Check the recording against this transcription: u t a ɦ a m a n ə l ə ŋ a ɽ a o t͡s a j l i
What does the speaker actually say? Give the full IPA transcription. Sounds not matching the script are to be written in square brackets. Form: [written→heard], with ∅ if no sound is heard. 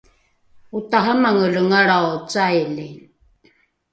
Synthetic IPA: u t a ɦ a m a [n→ŋ] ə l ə ŋ a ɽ a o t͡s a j l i